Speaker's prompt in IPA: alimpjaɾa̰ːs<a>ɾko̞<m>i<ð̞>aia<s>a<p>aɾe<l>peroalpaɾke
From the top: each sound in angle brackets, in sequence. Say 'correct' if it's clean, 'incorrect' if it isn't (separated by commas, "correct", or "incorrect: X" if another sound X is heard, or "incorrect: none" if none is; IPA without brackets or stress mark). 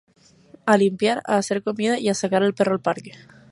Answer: incorrect: e, correct, correct, correct, incorrect: k, correct